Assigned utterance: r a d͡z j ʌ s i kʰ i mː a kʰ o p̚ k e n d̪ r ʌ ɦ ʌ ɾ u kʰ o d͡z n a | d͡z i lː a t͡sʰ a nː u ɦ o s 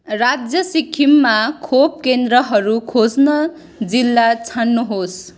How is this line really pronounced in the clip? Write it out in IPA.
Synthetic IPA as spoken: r a d͡z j ʌ s i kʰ i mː a kʰ o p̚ k e n d̪ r ʌ ɦ ʌ ɾ u kʰ o d͡z n ʌ | d͡z i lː a t͡sʰ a nː u ɦ o s